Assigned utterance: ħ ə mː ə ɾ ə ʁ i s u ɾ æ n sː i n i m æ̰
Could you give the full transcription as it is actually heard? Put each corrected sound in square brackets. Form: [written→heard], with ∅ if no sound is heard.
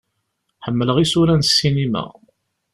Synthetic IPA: ħ ə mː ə [ɾ→l] ə ʁ i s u ɾ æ n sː i n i m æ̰